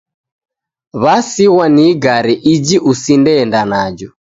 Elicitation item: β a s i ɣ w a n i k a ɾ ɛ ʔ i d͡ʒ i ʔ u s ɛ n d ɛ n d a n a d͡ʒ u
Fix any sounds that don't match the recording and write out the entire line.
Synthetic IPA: β a s i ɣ w a n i ɡ a ɾ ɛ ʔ i d͡ʒ i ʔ u s i n d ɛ n d a n a d͡ʒ ɔ